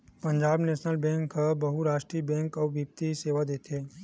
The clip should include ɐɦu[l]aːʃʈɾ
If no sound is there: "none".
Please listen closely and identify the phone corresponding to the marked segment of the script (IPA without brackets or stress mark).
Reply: ɾ